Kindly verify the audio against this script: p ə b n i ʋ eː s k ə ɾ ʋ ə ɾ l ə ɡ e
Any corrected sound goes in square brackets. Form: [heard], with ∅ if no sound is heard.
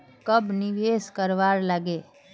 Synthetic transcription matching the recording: [k] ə b n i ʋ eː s k ə ɾ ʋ [a] ɾ l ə ɡ e

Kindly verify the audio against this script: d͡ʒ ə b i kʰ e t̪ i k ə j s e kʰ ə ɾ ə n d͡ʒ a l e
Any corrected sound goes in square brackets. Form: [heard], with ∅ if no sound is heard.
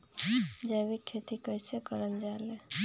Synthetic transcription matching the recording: d͡ʒ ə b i kʰ e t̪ i k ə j s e [k] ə ɾ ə n d͡ʒ a l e

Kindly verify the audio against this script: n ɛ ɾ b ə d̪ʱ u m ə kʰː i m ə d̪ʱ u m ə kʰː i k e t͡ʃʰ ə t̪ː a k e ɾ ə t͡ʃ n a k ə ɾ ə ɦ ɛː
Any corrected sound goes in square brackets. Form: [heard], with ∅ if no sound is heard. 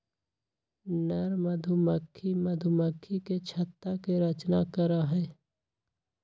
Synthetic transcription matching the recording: n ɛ ɾ [m] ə d̪ʱ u m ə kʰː i m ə d̪ʱ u m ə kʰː i k e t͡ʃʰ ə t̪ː a k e ɾ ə t͡ʃ n a k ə ɾ [a] ɦ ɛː

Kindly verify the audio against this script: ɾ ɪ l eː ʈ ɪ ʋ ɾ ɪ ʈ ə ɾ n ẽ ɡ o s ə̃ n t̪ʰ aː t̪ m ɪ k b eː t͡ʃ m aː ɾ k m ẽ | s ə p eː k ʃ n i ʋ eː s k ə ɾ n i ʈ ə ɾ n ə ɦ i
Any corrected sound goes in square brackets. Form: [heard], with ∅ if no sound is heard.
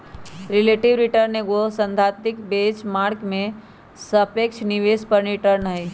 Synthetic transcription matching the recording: ɾ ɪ l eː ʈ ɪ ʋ ɾ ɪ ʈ ə ɾ n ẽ ɡ o s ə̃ n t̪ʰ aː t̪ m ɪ k b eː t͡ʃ m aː ɾ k m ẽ | s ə p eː k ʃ n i ʋ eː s [p] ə ɾ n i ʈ ə ɾ n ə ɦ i

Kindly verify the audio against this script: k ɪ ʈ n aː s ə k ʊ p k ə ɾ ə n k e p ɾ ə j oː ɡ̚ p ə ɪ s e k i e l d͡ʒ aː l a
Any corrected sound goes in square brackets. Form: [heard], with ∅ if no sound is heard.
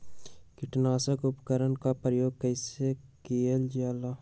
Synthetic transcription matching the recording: k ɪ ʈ n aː s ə k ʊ p k ə ɾ ə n k [a] p ɾ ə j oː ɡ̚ [k] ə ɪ s e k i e l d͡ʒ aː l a

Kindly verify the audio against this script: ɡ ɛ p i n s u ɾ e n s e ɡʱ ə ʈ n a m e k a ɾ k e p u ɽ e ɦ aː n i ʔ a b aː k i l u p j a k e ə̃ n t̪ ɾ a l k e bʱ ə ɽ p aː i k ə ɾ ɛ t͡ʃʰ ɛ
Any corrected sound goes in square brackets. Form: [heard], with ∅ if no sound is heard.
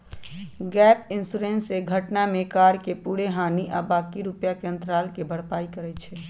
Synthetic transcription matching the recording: ɡ ɛ p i n s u ɾ e n s e ɡʱ ə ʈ n a m e k a ɾ k e p u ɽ e ɦ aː n i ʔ a b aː k i [ɾ] u p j a k e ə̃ n t̪ ɾ a l k e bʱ ə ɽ p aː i k ə ɾ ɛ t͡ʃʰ ɛ

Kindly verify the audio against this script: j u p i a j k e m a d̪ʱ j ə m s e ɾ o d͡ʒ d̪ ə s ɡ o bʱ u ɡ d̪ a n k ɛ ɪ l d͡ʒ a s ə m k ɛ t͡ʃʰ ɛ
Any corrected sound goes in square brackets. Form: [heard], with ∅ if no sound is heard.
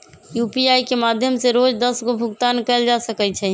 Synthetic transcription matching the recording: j u p i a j k e m a d̪ʱ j ə m s e ɾ o d͡ʒ d̪ ə s ɡ o bʱ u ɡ [t̪] a n k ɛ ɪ l d͡ʒ a s ə [∅] k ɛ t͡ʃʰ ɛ

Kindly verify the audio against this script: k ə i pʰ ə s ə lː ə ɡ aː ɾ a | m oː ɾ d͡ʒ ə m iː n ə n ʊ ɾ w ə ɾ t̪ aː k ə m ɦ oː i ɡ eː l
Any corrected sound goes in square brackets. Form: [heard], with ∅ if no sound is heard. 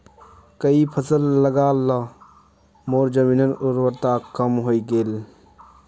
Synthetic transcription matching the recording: k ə i pʰ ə s ə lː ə ɡ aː [l] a | m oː ɾ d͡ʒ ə m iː n ə n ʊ ɾ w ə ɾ t̪ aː k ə m ɦ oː i ɡ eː l

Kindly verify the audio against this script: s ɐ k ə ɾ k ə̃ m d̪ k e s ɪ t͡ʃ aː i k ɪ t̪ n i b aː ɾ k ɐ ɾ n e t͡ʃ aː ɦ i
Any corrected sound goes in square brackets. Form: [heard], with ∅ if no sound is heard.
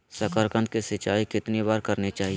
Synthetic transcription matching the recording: s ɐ k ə ɾ k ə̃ [n] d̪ k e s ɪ t͡ʃ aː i k ɪ t̪ n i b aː ɾ k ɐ ɾ n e t͡ʃ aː ɦ i

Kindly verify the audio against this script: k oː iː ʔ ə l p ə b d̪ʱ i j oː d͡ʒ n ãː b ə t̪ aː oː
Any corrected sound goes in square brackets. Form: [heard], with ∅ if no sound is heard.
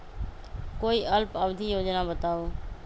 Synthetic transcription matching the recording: k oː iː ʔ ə l p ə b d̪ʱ i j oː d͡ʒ n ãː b ə t̪ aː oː

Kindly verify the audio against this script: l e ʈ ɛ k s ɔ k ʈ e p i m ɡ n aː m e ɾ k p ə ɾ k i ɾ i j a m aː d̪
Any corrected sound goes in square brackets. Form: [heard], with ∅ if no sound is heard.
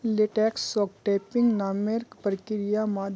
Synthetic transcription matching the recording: l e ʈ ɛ k s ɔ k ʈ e p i [ŋ] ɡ n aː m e ɾ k p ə ɾ k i ɾ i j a m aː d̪

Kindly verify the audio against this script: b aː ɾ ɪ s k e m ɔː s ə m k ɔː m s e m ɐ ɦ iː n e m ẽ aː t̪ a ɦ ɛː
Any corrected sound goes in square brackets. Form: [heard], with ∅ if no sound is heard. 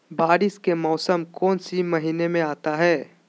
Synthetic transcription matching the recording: b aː ɾ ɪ s k e m ɔː s ə m k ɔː [n] s [i] m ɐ ɦ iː n e m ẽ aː t̪ a ɦ ɛː

